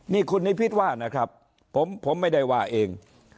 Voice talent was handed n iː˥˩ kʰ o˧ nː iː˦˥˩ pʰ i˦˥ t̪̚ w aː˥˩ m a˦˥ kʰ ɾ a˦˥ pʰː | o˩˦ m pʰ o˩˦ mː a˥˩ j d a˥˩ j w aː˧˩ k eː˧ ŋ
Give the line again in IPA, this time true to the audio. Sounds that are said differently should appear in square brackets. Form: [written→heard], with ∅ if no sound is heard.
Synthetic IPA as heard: n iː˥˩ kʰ [o˧→u˧] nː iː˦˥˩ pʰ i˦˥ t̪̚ w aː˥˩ [m→n] a˦˥ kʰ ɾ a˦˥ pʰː | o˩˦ m pʰ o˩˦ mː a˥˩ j d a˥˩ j w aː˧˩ [k→ʔ] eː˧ ŋ